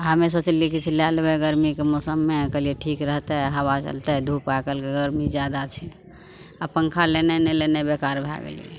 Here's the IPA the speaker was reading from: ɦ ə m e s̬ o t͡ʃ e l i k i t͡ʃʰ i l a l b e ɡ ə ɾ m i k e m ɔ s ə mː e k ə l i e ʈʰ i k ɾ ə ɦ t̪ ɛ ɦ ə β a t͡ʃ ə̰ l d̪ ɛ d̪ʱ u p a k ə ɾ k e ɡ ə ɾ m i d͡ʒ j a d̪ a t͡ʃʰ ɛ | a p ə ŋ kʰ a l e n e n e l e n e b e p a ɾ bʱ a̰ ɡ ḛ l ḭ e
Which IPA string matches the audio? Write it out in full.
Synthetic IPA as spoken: ɦ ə m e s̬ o t͡ʃ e l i k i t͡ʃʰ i l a l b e ɡ ə ɾ m i k e m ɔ s ə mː e k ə l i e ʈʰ i k ɾ ə ɦ t̪ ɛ ɦ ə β a t͡ʃ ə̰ l t̪ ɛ d̪ʱ u p a k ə l k e ɡ ə ɾ m i d͡ʒ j a d̪ a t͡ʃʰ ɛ | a p ə ŋ kʰ a l e n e n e l e n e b e k a ɾ bʱ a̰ ɡ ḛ l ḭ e

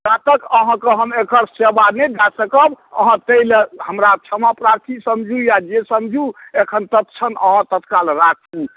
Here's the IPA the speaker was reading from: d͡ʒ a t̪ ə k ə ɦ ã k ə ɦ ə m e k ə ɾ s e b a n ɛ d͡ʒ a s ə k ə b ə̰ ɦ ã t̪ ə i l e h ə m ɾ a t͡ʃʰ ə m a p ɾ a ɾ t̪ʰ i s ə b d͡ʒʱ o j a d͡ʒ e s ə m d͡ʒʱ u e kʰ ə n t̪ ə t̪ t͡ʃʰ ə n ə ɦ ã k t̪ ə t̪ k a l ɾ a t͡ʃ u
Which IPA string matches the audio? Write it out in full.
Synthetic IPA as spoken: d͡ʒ a t̪ ə k ə ɦ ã k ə ɦ ə m e k ə ɾ s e b a n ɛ d͡ʒ a s ə k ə b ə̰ ɦ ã t̪ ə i l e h ə m ɾ a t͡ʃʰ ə m a p ɾ a ɾ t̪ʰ i s ə m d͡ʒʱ u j a d͡ʒ e s ə m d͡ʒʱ u e kʰ ə n t̪ ə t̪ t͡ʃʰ ə n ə ɦ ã t̪ ə t̪ k a l ɾ a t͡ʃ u

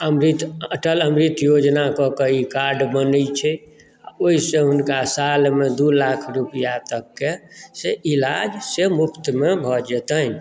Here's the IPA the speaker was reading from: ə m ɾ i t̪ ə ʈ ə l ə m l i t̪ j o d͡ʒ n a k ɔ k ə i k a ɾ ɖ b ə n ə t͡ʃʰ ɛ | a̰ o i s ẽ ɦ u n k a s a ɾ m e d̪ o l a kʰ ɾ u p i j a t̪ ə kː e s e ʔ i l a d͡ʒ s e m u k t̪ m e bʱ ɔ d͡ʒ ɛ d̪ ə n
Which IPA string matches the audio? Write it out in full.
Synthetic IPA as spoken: ə m ɾ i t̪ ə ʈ ə l ə m ɾ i t̪ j o d͡ʒ n a k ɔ k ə i k a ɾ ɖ b ə n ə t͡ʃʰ ɛ | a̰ o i s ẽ ɦ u n k a s a l m e d̪ u l a kʰ ɾ u p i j a t̪ ə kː e s e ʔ i l a d͡ʒ s e m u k t̪ m e bʱ ɔ d͡ʒ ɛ t̪ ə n

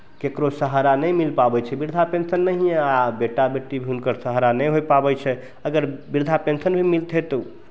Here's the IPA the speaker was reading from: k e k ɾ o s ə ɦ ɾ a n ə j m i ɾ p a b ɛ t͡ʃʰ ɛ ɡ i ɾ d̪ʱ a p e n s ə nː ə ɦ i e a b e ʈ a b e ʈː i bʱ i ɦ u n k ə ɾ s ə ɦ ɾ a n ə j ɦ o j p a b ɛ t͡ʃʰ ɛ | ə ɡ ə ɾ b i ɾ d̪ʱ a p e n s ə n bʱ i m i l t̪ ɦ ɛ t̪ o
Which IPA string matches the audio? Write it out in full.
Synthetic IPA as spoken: k e k ɾ o s ə ɦ ɾ a n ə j m i l p a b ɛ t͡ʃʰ ɛ b i ɾ d̪ʱ a p e n s ə nː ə ɦ i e a b e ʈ a b e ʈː i bʱ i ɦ u n k ə ɾ s ə ɦ ɾ a n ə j ɦ o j p a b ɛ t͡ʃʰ ɛ | ə ɡ ə ɾ b i ɾ d̪ʱ a p e n s ə n bʱ i m i l t̪ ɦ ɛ t̪ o

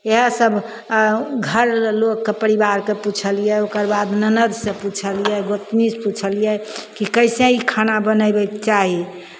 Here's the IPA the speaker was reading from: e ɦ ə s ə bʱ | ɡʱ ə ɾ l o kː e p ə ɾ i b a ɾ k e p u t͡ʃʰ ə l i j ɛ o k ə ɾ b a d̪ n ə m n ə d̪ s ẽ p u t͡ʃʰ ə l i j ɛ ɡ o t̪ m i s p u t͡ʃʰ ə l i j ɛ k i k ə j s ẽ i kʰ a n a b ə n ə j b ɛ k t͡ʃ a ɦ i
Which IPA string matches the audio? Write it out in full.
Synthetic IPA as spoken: e ɦ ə s ə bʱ | ɡʱ ə ɾ l o kː e p ə ɾ i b a ɾ k e p u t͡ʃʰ ə l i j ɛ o k ə ɾ b a d̪ n ə n ə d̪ s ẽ p u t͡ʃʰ ə l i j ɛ ɡ o t̪ m i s p u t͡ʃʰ ə l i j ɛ k i k ə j s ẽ i kʰ a n a b ə n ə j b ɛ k t͡ʃ a ɦ i

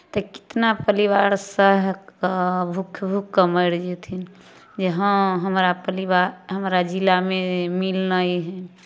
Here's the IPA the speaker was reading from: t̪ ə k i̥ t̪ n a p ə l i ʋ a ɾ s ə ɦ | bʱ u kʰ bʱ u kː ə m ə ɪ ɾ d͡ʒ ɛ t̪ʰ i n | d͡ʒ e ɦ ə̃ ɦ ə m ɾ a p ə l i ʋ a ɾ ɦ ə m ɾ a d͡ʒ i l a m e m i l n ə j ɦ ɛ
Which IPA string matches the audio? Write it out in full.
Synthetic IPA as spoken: t̪ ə k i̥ t̪ n a p ə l i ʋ a ɾ s ə ɦ | bʱ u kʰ bʱ u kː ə m ə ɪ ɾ d͡ʒ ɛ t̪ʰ i n | d͡ʒ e ɦ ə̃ ɦ ə m ɾ a p ə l i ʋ a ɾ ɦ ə m ɾ a d͡ʒ i l a m e m i l n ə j ɦ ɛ

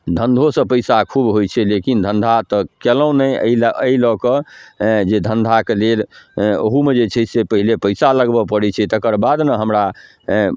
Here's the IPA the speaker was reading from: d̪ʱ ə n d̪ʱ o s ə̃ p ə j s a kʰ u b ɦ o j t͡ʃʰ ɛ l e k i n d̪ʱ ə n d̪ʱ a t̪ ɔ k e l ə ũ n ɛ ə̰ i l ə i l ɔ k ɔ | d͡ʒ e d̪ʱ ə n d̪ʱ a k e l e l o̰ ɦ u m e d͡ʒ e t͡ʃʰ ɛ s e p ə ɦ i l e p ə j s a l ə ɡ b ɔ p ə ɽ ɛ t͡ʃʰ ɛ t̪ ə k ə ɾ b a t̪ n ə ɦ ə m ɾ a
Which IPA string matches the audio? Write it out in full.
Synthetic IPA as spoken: d̪ʱ ə n d̪ʱ o s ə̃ p ə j s a kʰ u b ɦ o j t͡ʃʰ ɛ l e k i n d̪ʱ ə n d̪ʱ a t̪ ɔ k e l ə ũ n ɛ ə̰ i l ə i l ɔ k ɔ | d͡ʒ e d̪ʱ ə n d̪ʱ a k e l e l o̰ ɦ u m e d͡ʒ e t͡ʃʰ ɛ s e p ə ɦ i l e p ə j s a l ə ɡ b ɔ p ə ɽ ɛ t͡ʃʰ ɛ t̪ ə k ə ɾ b a d̪ n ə ɦ ə m ɾ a

